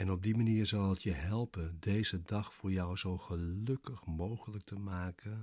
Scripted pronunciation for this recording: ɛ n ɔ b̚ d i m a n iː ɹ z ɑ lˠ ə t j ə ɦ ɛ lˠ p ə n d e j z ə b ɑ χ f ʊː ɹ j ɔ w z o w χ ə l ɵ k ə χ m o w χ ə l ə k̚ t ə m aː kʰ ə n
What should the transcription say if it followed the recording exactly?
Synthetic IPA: ɛ n ɔ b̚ d i m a n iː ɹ z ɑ lˠ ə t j ə ɦ ɛ lˠ p ə n d e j z ə d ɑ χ f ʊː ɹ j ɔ w z o w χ ə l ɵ k ə χ m o w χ ə l ə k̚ t ə m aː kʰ ə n